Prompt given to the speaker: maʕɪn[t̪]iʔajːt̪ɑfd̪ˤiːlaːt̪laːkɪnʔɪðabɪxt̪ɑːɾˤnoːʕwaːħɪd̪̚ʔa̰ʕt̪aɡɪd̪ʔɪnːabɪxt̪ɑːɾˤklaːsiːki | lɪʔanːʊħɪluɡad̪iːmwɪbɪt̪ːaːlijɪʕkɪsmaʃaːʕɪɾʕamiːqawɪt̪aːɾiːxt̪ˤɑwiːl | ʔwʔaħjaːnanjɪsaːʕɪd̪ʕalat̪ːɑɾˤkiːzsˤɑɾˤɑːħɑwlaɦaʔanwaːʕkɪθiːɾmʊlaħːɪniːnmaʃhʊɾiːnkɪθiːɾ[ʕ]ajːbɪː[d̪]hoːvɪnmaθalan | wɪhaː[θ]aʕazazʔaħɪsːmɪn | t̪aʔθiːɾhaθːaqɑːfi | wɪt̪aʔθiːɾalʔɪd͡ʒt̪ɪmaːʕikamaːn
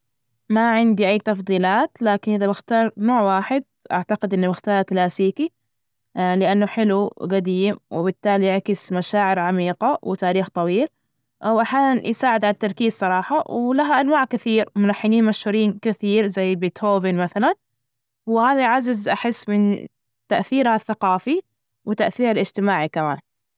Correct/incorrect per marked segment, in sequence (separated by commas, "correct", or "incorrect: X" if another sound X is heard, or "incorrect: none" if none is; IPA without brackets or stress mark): incorrect: d̪, incorrect: z, incorrect: t̪, incorrect: ð